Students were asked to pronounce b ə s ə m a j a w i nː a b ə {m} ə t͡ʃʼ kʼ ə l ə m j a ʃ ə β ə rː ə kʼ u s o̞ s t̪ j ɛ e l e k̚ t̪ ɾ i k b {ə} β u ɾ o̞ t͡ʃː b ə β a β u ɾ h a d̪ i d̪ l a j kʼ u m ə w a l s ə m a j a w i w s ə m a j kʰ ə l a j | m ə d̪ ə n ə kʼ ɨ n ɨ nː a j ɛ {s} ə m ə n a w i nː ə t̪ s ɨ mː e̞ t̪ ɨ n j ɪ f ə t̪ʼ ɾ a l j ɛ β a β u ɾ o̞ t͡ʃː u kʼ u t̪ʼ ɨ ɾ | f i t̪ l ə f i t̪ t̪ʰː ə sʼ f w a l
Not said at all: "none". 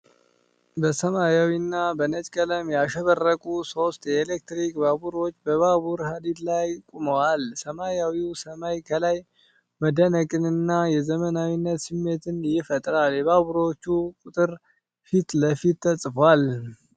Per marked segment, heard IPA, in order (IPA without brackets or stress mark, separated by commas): n, a, z